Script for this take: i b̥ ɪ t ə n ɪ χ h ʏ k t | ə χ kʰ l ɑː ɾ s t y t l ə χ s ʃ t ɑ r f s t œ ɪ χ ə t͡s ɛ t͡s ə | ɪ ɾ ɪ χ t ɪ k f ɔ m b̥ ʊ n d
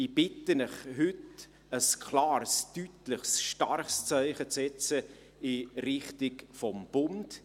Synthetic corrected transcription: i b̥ ɪ t ə n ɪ χ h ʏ t | ə s kʰ l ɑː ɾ s t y t l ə χ s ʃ t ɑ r χ s t͡s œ ɪ χ ə t͡s ɛ t͡s ə | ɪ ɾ ɪ χ t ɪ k f ɔ m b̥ ʊ n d

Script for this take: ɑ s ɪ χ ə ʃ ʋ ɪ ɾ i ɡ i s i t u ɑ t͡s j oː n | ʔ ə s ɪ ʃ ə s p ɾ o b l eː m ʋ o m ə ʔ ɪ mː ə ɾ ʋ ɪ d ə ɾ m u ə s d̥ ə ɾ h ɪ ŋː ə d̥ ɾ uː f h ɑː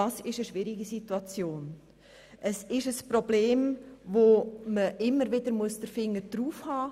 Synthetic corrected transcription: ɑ s ɪ ʃ ə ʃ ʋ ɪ ɾ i ɡ i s i t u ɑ t͡s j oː n | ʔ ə s ɪ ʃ ə s p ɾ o b l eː m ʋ o m ə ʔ ɪ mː ə ɾ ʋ ɪ d ə ɾ m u ə s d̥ ə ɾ f ɪ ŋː ə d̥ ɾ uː f h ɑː

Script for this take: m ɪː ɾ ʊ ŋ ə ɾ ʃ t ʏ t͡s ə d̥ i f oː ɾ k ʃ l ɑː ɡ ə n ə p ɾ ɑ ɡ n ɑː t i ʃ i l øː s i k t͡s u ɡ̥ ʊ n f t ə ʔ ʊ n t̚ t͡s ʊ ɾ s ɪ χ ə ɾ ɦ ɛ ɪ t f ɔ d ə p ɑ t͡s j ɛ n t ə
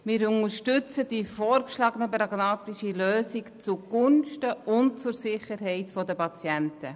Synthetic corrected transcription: m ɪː ɾ ʊ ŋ ə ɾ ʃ t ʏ t͡s ə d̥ i f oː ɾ k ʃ l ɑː ɡ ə n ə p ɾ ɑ ɡ n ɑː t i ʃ i l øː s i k t͡s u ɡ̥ ʊ n ʃ t ə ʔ ʊ n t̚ t͡s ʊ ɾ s ɪ χ ə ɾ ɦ ɛ ɪ t f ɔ d ə p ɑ t͡s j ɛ n t ə

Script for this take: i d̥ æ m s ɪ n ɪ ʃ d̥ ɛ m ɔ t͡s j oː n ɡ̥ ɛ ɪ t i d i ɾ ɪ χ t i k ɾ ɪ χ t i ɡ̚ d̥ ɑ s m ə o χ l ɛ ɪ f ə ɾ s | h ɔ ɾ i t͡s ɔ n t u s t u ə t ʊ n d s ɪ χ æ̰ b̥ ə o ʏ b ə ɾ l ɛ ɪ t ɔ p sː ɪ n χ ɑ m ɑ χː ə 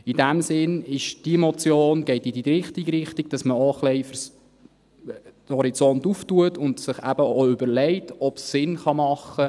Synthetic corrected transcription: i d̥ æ m s ɪ n ɪ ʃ d̥ i m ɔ t͡s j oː n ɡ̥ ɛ ɪ t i d i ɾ ɪ χ t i ɡ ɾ ɪ χ t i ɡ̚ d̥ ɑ s m ə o χ l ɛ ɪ f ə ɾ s | h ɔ ɾ i t͡s ɔ n t u f t u ə t ʊ n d s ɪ χ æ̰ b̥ ə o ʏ b ə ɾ l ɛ ɪ t ɔ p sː ɪ n χ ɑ m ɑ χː ə

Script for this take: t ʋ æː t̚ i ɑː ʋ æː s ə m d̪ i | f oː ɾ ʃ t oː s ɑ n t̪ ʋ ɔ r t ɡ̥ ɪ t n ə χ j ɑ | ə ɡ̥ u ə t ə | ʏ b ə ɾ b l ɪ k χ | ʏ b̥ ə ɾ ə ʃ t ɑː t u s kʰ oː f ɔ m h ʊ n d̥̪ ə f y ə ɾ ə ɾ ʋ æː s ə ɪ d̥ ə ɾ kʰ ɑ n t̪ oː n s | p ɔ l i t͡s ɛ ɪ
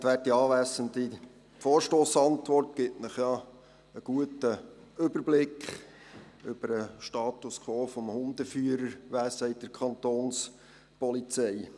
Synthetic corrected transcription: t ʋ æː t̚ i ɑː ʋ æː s ə n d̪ i | f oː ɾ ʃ t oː s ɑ n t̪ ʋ ɔ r t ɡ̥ ɪ t n ə χ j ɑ | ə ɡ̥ u ə t ə | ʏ b ə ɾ b l ɪ k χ | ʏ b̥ ə ɾ ə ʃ t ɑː t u s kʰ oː f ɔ m h ʊ n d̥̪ ə f y ə ɾ ə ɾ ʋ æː s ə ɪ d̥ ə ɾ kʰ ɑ n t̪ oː n s | p ɔ l i t͡s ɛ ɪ

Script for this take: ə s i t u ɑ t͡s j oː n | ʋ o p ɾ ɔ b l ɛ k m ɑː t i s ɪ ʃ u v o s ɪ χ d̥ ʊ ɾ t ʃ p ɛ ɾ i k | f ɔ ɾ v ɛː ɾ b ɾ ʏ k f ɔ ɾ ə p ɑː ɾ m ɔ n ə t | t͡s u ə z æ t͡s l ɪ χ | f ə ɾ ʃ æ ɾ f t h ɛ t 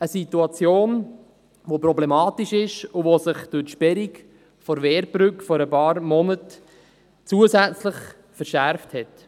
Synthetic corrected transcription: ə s i t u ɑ t͡s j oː n | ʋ o p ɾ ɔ b l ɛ m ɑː t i ʃ ɪ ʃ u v o s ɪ χ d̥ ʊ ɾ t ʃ p ɛ ɾ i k | f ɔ ɾ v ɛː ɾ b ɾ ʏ k f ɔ ɾ ə p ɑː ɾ m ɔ n ə t | t͡s u ə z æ t͡s l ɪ χ | f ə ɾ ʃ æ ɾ f t h ɛ t

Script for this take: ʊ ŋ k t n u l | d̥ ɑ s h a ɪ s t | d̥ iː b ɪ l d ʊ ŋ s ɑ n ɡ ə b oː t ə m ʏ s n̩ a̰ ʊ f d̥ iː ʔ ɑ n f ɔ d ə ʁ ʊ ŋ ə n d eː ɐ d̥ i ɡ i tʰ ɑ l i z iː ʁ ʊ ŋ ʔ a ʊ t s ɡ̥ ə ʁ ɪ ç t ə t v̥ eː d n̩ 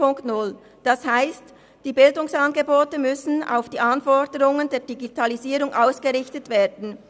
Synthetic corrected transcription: ʊ ŋ k t n ʊ l | d̥ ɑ s h a ɪ s t | d̥ iː b ɪ l d ʊ ŋ s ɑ n ɡ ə b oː t ə m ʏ s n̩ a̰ ʊ f d̥ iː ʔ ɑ n f ɔ d ə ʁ ʊ ŋ ə n d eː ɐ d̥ i ɡ i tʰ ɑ l i z iː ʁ ʊ ŋ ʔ a ʊ s ɡ̥ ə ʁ ɪ ç t ə t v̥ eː d n̩

